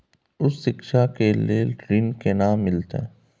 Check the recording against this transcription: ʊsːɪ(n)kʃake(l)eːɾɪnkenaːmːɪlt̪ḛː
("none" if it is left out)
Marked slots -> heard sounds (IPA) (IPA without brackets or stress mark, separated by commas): none, l